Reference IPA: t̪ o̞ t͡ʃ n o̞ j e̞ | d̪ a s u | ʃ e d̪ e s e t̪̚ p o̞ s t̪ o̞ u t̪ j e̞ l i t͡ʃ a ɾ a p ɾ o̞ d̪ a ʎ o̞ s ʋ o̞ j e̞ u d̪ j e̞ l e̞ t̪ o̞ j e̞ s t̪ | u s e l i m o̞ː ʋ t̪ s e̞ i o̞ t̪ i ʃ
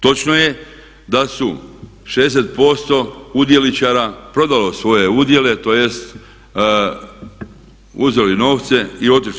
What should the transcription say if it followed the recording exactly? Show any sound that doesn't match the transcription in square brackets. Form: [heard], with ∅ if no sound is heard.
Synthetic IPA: t̪ o̞ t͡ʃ n o̞ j e̞ | d̪ a s u | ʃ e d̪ e s e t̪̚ p o̞ s t̪ o̞ u [d̪] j e̞ l i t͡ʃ a ɾ a p ɾ o̞ d̪ a [l] o̞ s ʋ o̞ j e̞ u d̪ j e̞ l e̞ t̪ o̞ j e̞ s t̪ | u [z] e l i [n] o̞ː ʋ t̪ s e̞ i o̞ t̪ i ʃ